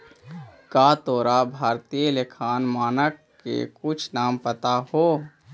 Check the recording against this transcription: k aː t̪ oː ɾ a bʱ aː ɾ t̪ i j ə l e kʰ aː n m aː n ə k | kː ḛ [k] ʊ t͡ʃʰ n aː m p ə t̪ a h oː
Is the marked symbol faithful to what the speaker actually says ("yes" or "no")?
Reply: yes